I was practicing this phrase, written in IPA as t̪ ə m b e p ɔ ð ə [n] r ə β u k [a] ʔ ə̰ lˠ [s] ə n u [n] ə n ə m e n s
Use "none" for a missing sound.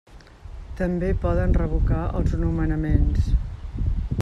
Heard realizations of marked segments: n, a, z, m

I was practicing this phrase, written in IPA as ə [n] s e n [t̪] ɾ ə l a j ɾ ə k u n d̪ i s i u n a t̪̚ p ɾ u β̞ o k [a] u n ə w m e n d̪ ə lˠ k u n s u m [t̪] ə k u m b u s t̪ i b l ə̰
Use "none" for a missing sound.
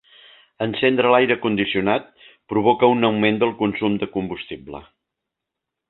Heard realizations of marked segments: n, d̪, ə, d̪

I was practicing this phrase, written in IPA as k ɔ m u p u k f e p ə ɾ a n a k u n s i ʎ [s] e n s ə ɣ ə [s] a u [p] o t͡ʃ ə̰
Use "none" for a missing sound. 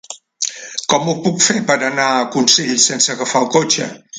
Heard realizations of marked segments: s, f, k

